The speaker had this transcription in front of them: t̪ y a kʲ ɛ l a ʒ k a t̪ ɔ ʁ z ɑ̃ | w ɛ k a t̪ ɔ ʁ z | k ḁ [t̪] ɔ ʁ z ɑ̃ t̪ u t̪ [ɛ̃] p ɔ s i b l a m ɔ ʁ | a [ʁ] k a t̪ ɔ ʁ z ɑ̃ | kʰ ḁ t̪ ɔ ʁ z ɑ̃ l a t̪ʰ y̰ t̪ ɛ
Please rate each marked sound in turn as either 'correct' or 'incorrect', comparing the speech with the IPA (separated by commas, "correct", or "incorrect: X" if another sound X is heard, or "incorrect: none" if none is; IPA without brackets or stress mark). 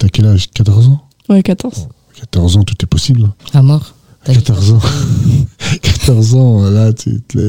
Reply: correct, incorrect: ɛ, incorrect: none